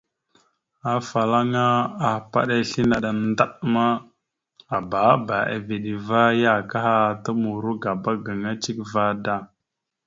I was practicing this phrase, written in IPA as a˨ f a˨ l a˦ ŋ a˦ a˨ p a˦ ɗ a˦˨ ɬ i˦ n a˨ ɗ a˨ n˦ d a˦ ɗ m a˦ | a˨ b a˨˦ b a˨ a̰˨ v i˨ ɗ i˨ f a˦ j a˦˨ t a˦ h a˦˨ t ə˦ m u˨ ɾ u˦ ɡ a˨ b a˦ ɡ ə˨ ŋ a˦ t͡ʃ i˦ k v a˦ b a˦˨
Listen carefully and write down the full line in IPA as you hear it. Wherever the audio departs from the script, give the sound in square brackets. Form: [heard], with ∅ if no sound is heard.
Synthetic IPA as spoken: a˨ f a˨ l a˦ ŋ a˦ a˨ p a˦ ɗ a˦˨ ɬ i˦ n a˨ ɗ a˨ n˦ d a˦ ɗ m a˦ | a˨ b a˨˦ b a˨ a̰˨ v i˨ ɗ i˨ [v] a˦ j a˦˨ [k] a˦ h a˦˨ t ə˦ m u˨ ɾ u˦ ɡ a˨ b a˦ ɡ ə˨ ŋ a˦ t͡ʃ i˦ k v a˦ [d] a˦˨

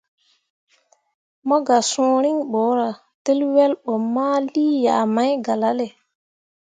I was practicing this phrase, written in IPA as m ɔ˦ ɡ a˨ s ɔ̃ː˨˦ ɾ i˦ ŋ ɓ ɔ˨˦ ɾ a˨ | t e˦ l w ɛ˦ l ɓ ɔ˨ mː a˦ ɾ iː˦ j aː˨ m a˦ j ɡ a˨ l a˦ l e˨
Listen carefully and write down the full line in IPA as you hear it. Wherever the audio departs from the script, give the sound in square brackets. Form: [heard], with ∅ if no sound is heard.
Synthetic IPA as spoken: m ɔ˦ ɡ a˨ s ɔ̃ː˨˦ ɾ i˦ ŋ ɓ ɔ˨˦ ɾ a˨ | t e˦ l w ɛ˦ l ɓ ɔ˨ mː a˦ [l] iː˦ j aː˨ m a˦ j ɡ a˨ l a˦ l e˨

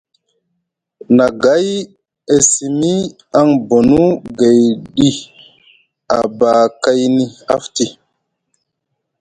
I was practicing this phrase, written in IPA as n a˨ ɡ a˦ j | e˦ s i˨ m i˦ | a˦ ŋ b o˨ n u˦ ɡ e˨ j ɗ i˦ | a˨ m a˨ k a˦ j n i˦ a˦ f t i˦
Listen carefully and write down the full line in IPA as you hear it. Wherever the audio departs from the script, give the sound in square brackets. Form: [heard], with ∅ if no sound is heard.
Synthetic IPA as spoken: n a˨ ɡ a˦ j | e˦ s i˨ m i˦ | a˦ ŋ b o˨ n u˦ ɡ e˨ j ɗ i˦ | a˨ [b] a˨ k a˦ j n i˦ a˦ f t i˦

